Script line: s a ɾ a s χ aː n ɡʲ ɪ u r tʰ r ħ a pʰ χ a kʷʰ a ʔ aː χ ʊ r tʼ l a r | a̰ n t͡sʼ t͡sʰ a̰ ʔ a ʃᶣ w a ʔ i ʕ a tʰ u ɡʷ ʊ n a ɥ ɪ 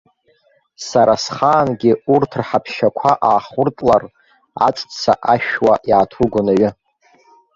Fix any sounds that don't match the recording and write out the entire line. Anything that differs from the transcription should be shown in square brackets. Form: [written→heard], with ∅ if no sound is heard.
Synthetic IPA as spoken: s a ɾ a s χ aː n ɡʲ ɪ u r tʰ r ħ a pʰ [χ→ʃ] a kʷʰ a ʔ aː χ ʊ r tʼ l a r | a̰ [n→∅] t͡sʼ t͡sʰ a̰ ʔ a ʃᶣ w a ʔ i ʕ a tʰ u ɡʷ ʊ n a ɥ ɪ